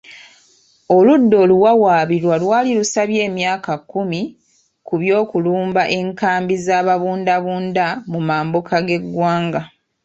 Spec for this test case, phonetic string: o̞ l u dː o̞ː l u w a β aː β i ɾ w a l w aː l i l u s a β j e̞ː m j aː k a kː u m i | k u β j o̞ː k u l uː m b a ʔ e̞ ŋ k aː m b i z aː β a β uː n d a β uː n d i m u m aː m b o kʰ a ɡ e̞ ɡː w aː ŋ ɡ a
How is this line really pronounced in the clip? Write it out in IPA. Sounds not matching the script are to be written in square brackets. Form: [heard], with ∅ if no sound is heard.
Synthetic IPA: o̞ l u dː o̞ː l u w a [w] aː β i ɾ w a l w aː l i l u s a β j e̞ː m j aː k a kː u m i | k u β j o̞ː k u l uː m b a ʔ e̞ ŋ k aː m b i z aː β a β uː n d a β uː n d [a] m u m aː m b o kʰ a ɡ e̞ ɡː w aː ŋ ɡ a